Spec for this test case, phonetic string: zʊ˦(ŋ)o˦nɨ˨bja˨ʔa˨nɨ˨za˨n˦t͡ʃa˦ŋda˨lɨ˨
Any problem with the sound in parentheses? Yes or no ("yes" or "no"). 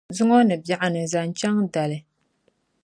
no